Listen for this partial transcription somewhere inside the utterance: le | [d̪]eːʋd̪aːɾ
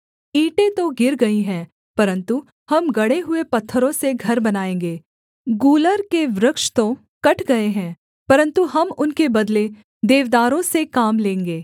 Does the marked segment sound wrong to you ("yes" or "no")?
no